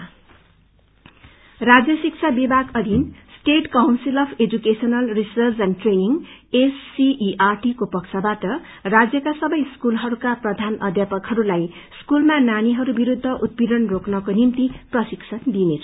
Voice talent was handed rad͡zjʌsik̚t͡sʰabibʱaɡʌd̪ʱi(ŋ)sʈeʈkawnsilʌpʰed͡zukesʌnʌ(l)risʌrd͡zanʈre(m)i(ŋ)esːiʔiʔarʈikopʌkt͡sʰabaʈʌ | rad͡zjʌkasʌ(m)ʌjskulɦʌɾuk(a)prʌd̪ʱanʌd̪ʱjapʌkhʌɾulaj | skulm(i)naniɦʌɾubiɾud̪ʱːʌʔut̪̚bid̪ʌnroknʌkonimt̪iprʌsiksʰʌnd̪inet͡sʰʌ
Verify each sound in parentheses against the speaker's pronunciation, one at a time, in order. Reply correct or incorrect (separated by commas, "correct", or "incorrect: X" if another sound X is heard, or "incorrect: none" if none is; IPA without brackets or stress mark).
incorrect: n, correct, incorrect: n, correct, incorrect: b, correct, incorrect: a